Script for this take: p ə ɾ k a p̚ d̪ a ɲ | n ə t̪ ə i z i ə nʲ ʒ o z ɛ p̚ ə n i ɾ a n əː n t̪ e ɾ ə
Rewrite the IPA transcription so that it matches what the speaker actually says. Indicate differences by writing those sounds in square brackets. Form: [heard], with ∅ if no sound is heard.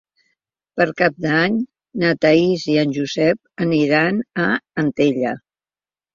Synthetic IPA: p ə ɾ k a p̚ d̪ a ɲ | n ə t̪ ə i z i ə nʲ ʒ [u] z ɛ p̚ ə n i ɾ a n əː n t̪ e [ʎ] ə